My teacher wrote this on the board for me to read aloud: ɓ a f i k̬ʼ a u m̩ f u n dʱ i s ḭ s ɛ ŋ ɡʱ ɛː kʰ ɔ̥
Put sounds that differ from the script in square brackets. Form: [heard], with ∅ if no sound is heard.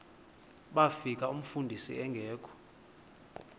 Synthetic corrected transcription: ɓ a f i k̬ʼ a u m̩ f u n dʱ i s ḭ [∅] ɛ ŋ ɡʱ ɛː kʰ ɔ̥

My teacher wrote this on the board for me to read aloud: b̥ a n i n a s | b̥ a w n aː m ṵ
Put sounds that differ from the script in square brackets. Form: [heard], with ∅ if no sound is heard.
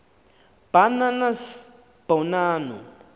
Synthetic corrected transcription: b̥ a n [a] n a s | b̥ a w n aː [n] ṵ

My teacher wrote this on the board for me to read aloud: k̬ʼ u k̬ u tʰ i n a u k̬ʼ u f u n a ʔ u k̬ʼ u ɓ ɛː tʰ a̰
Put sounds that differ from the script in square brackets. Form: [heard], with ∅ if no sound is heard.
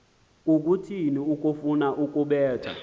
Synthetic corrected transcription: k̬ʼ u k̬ u tʰ i n [i] u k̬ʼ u f u n a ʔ u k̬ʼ u ɓ ɛː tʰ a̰

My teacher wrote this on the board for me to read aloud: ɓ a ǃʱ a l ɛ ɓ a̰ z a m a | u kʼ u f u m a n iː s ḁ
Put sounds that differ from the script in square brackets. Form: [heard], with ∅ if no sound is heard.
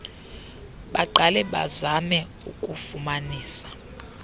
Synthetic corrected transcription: ɓ a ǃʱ a l ɛ ɓ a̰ z a m [ɛ] | u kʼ u f u m a n iː s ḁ

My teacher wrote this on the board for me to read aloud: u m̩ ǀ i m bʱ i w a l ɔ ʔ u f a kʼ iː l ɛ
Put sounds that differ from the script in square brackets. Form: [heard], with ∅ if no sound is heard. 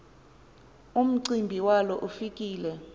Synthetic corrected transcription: u m̩ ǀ i m bʱ i w a l ɔ ʔ u f [i] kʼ iː l ɛ

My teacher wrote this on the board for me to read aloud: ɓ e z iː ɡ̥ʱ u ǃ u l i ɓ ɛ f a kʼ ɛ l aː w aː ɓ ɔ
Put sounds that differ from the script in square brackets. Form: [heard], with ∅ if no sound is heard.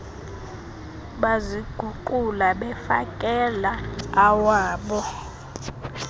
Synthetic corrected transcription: ɓ [a] z [i] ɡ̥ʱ u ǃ u l [a] ɓ ɛ f a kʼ ɛ l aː w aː ɓ ɔ

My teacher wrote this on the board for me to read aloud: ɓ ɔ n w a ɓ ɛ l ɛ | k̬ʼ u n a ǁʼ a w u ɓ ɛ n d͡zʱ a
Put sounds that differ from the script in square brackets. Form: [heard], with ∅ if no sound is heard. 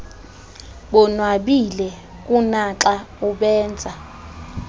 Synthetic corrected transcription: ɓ ɔ n w a ɓ [i] l ɛ | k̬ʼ u n a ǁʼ a [∅] u ɓ [ɛː] n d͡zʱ a

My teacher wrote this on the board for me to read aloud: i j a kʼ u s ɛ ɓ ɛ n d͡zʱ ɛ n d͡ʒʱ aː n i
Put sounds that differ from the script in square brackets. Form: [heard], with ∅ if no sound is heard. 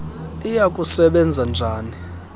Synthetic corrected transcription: i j a kʼ u s ɛ ɓ ɛ n d͡zʱ [a] n d͡ʒʱ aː n i

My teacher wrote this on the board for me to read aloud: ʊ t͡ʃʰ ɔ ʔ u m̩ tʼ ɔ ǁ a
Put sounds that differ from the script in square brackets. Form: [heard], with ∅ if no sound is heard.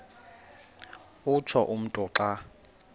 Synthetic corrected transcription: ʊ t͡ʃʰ ɔ ʔ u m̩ tʼ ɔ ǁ a

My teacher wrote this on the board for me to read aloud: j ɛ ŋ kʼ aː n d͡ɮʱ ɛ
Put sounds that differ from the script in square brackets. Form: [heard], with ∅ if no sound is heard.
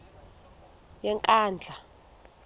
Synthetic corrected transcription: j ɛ ŋ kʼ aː n d͡ɮʱ [a]

